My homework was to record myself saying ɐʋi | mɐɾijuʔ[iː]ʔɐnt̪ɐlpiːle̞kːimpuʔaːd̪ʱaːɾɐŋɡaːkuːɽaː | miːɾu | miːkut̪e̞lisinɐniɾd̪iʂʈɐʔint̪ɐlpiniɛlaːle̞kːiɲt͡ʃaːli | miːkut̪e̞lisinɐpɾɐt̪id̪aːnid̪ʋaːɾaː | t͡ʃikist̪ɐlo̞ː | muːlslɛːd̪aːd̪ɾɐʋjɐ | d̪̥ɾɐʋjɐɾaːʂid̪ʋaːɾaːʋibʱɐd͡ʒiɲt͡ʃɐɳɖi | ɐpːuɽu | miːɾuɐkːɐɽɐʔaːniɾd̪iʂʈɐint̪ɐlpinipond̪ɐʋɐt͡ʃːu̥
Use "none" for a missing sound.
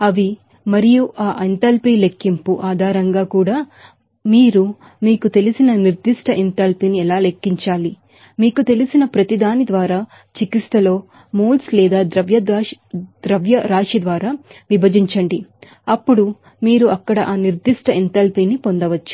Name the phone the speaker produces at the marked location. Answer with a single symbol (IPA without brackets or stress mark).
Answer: aː